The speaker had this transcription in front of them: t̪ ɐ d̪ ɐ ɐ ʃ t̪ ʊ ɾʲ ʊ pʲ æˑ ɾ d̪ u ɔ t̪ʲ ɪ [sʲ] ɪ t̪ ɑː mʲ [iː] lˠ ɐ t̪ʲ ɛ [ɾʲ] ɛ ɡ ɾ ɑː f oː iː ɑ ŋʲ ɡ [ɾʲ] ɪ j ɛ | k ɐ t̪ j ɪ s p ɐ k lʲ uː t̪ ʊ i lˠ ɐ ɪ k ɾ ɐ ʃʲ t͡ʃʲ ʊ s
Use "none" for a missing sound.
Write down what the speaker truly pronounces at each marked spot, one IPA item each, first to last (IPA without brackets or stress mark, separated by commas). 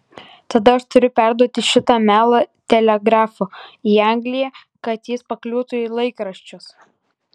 ʃʲ, æː, lʲ, lʲ